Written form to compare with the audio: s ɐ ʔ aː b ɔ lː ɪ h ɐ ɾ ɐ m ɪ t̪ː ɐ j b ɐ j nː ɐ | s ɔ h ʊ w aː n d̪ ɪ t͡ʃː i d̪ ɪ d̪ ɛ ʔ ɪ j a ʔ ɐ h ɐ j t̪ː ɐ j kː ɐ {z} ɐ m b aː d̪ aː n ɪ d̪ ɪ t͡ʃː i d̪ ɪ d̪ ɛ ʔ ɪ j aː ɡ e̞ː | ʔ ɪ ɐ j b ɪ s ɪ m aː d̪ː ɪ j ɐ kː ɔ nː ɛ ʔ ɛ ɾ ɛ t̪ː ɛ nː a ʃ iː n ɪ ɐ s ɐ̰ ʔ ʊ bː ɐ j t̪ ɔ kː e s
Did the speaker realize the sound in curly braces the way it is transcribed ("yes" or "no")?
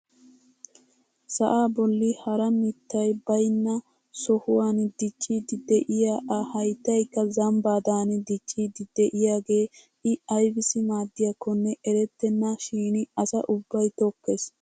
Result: yes